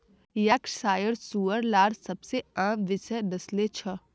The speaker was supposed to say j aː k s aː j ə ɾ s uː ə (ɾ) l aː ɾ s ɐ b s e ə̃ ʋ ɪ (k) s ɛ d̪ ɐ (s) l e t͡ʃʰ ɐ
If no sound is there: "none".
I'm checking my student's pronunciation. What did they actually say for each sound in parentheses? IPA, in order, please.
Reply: ɾ, none, s

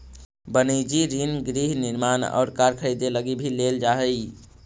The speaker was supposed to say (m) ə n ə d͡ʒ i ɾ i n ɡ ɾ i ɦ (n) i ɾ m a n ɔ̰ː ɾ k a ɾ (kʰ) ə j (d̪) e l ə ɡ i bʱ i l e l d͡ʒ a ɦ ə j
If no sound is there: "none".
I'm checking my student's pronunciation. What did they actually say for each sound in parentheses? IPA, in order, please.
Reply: b, n, kʰ, d̪

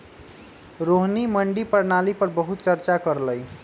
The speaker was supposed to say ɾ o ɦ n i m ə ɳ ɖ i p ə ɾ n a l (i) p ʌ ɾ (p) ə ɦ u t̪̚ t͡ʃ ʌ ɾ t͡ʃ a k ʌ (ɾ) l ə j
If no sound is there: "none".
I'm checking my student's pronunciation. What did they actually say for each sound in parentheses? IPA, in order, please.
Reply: i, b, ɾ

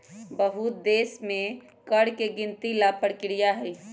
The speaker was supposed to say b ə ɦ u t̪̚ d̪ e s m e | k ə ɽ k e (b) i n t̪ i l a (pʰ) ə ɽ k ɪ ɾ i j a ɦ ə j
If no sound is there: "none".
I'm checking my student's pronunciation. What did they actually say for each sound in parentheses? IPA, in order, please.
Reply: ɡ, p

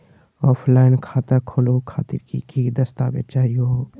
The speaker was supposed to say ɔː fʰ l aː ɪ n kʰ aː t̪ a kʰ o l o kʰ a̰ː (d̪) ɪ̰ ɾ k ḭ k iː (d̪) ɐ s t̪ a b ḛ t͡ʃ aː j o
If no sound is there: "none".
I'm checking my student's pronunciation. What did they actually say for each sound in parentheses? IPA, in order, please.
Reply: t̪, d̪

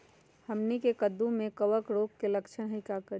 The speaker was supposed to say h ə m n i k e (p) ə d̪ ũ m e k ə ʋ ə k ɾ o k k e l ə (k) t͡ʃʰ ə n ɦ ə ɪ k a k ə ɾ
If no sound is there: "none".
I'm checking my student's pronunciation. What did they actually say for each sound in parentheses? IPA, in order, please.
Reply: k, k

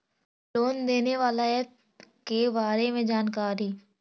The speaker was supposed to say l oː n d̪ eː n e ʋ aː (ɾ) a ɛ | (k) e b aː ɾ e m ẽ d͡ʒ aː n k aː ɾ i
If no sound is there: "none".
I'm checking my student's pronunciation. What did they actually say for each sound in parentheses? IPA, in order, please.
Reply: l, k

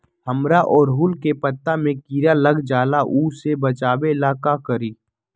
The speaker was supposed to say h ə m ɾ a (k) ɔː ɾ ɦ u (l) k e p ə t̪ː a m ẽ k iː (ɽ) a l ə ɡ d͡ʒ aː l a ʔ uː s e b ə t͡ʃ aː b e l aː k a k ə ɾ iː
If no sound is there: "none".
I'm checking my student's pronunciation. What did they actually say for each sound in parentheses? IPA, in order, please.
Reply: ʔ, l, ɾ

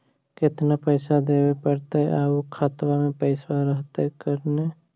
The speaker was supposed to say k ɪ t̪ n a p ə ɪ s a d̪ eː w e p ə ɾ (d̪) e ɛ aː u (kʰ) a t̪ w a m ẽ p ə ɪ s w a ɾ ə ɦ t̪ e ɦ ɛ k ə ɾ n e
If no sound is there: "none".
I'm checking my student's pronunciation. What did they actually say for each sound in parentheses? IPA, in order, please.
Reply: t̪, kʰ

